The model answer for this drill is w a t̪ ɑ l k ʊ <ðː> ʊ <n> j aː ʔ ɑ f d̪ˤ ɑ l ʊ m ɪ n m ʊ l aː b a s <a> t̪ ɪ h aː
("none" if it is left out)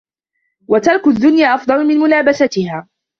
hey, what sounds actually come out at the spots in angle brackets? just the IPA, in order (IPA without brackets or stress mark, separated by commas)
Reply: ðː, n, a